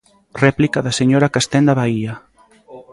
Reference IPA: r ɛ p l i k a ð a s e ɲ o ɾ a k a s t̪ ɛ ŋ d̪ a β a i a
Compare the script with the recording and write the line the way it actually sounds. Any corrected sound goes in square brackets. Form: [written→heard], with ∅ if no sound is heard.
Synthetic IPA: r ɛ p l i k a ð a s e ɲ o ɾ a k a s t̪ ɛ [ŋ→n] d̪ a β a i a

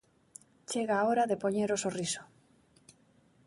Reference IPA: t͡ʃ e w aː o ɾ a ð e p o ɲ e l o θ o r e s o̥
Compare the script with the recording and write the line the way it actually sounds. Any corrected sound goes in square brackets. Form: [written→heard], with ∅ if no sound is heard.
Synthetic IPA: t͡ʃ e [w→ɣ] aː o ɾ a ð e p o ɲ e [l→ɾ] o [θ→s] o r [e→i] s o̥

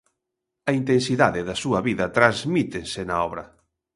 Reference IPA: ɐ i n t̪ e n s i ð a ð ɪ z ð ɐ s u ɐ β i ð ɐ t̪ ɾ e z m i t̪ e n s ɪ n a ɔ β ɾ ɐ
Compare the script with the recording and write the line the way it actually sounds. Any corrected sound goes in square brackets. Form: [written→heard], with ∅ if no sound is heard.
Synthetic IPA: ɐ i n t̪ e n s i ð a ð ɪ [z→∅] ð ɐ s u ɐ β i ð ɐ t̪ ɾ [e→a] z m i t̪ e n s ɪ n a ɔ β ɾ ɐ

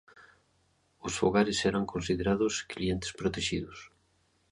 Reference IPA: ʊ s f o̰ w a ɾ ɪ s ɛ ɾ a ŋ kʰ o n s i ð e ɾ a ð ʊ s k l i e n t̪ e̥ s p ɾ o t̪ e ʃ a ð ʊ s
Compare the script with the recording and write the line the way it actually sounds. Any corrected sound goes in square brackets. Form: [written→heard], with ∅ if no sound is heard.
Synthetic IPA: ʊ s f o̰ [w→ɣ] a ɾ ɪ s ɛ ɾ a ŋ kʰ o n s i ð e ɾ a ð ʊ s k l i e n t̪ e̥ s p ɾ o t̪ e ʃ [a→i] ð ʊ s

